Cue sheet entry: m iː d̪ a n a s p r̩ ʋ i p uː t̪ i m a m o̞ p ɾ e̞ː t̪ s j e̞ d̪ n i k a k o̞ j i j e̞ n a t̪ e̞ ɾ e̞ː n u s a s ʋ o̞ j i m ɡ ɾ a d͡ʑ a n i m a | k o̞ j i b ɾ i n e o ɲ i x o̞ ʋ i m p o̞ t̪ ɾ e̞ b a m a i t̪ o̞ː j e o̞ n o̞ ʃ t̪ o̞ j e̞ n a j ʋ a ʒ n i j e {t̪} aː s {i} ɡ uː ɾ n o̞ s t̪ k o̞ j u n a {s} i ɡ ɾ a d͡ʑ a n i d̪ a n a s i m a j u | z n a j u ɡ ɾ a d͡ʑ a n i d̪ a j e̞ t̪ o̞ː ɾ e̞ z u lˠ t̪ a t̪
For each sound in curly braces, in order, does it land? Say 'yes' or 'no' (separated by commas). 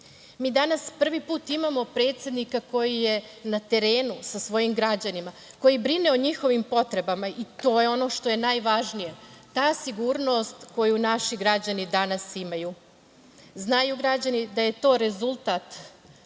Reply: yes, yes, no